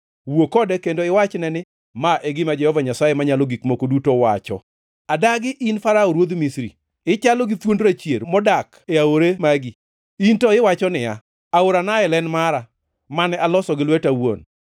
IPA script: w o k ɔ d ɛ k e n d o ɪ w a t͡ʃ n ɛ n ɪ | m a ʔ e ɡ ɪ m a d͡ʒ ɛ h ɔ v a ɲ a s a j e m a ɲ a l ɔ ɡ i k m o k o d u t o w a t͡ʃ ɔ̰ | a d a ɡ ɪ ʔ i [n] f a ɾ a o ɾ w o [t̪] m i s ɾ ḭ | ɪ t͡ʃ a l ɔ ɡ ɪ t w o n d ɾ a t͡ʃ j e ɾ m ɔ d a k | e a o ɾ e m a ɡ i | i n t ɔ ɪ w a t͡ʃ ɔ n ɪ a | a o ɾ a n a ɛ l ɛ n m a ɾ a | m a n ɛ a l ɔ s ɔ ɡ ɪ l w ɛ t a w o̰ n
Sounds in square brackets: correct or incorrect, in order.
correct, incorrect: d̪

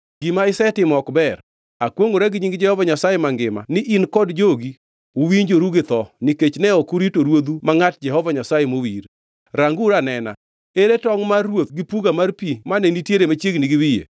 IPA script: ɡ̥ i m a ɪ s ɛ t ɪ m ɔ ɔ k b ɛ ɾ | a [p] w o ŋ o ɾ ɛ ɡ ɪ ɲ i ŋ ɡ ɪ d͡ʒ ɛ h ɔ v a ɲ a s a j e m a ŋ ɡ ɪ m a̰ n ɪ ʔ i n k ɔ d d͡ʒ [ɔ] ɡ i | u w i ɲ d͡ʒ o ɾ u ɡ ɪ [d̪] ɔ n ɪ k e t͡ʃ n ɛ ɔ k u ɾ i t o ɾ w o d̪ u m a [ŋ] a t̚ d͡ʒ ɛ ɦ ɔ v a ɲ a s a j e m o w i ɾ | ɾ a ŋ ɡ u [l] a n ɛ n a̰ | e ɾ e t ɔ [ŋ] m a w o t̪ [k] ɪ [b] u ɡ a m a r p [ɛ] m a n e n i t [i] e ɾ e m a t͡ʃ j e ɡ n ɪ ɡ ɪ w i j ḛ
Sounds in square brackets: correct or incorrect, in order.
incorrect: k, incorrect: o, incorrect: t̪, correct, incorrect: ɾ, correct, incorrect: ɡ, incorrect: p, incorrect: i, incorrect: j

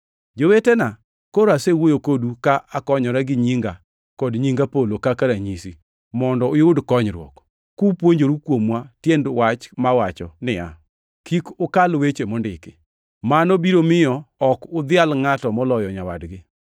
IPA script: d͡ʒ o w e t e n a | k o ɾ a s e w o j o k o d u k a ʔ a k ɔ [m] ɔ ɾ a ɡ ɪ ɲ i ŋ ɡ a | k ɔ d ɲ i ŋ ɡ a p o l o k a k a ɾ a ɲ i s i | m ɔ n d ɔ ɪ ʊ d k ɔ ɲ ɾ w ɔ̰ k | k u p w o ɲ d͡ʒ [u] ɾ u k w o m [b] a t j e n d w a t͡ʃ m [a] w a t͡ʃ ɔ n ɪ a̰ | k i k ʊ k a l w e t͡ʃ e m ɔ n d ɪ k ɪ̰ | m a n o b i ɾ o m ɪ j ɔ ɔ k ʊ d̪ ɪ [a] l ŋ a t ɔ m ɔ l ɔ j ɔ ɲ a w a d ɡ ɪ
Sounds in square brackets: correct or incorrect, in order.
incorrect: ɲ, incorrect: o, incorrect: w, correct, correct

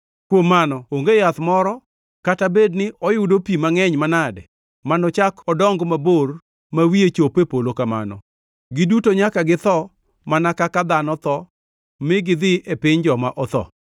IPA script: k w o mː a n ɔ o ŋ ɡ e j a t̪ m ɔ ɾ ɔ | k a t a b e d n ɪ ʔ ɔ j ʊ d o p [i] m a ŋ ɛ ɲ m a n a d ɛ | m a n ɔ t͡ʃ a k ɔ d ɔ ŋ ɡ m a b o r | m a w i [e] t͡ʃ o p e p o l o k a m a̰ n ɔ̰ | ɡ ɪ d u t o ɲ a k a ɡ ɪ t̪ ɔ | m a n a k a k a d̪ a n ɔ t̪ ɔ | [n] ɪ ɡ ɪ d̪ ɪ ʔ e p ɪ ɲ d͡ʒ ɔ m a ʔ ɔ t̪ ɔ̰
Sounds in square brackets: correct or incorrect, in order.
correct, correct, incorrect: m

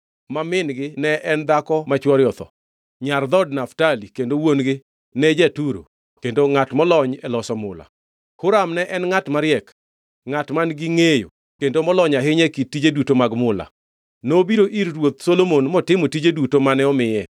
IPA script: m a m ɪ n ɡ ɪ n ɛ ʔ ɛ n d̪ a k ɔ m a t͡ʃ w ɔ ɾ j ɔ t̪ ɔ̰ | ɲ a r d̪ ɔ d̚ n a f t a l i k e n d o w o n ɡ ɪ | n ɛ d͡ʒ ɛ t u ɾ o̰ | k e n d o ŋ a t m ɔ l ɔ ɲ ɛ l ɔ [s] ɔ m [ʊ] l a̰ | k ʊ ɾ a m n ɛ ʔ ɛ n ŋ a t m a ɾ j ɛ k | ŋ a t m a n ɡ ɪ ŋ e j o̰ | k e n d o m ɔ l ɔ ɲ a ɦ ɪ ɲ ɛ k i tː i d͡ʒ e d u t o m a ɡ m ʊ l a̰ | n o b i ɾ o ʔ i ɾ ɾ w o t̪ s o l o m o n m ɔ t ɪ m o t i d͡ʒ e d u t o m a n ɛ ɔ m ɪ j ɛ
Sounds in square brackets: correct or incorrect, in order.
correct, correct

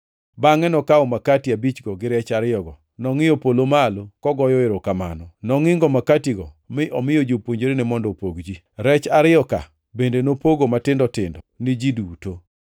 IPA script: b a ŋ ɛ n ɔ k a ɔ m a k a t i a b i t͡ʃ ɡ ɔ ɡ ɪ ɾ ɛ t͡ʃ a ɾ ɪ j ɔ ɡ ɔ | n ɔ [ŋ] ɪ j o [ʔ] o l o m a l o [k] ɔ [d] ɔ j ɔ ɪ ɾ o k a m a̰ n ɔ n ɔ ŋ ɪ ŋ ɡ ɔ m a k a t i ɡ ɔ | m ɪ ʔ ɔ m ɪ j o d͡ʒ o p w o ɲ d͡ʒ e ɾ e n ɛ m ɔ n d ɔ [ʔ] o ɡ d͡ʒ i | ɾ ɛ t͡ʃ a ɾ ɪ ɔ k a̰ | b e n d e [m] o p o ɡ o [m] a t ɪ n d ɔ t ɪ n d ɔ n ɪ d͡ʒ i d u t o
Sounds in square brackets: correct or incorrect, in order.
correct, incorrect: p, correct, incorrect: ɡ, incorrect: p, incorrect: n, correct

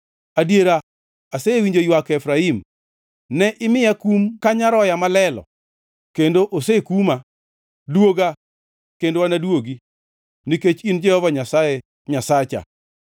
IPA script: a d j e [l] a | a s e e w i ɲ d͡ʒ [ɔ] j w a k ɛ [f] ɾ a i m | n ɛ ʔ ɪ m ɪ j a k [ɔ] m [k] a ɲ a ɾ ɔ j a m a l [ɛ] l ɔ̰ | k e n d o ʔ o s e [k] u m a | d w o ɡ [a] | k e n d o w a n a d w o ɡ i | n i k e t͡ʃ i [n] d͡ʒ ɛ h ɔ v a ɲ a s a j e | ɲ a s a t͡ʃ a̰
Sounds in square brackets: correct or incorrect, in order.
incorrect: ɾ, incorrect: o, correct, incorrect: u, correct, correct, correct, correct, correct

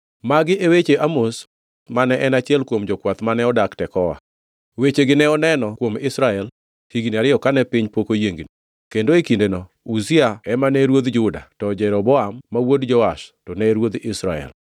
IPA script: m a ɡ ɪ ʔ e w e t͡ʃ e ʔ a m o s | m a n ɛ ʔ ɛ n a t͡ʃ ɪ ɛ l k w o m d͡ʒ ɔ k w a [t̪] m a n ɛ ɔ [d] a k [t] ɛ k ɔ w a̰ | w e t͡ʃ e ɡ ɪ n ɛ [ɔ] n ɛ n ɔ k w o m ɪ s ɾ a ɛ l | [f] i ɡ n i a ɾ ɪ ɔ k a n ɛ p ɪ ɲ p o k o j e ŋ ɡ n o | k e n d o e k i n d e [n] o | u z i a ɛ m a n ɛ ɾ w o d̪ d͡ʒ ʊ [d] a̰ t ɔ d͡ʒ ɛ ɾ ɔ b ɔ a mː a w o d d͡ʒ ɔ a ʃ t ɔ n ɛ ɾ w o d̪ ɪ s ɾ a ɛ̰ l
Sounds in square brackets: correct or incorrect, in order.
correct, correct, correct, correct, incorrect: h, correct, correct

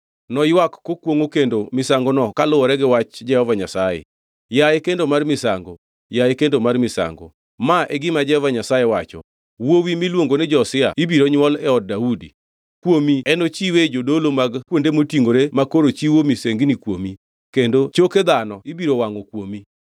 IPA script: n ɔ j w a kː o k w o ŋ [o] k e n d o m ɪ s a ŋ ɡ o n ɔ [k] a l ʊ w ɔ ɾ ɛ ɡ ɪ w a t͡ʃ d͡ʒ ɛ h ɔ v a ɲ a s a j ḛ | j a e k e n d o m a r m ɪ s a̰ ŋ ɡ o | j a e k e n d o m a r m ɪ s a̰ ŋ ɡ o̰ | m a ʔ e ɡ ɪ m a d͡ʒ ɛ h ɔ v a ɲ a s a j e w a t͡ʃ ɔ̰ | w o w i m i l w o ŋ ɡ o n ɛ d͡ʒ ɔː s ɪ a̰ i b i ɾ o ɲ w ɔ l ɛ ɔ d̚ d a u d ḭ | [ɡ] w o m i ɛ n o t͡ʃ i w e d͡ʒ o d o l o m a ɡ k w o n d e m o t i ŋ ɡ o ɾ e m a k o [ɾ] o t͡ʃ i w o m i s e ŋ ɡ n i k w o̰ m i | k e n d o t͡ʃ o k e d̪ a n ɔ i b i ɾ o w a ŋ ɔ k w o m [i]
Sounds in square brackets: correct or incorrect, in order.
correct, correct, incorrect: k, correct, correct

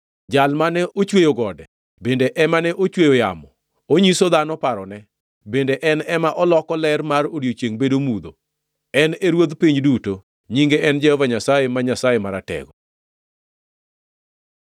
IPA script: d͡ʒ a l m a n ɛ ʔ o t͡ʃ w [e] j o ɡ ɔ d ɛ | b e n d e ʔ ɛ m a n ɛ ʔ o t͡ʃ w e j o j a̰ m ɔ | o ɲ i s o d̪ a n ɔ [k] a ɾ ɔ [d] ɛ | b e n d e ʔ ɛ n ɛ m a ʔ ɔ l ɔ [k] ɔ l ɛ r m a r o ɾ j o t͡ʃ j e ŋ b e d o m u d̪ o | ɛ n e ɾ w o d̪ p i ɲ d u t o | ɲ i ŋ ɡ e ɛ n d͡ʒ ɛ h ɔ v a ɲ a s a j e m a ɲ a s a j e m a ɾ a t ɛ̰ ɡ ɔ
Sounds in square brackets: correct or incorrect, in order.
correct, incorrect: p, incorrect: n, correct

